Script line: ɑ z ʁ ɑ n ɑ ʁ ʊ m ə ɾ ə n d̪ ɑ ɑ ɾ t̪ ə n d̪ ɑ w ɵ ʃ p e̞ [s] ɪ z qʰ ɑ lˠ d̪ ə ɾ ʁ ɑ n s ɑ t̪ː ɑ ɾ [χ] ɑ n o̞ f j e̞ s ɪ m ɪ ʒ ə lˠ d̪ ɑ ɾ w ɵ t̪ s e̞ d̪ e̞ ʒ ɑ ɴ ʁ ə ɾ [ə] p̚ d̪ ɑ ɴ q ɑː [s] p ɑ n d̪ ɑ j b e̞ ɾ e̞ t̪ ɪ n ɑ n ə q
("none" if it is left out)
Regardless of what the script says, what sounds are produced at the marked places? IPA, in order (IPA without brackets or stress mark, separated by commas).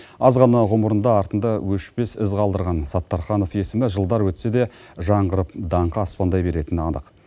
s, χ, ə, s